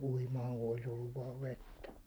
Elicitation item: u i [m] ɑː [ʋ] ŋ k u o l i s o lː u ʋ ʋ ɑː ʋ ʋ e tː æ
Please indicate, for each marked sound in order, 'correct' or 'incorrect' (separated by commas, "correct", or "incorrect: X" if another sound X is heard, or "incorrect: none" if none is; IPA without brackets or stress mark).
correct, incorrect: none